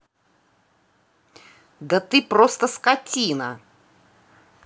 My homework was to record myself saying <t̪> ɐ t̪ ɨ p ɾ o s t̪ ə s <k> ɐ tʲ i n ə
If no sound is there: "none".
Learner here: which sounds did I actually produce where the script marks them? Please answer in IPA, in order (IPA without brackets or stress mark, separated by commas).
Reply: d̪, k